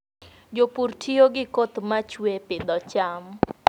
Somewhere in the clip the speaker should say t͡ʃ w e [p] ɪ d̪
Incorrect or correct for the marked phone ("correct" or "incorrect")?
correct